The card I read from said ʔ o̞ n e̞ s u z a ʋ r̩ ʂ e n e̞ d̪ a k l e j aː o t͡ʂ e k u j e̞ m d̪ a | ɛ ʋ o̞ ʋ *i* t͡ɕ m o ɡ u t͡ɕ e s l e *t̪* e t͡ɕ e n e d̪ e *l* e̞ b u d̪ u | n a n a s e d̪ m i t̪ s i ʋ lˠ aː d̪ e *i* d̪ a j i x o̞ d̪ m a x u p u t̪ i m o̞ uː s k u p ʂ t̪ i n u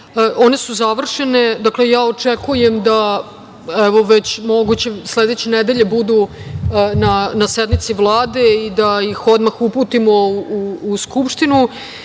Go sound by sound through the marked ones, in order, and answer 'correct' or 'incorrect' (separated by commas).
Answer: incorrect, incorrect, incorrect, correct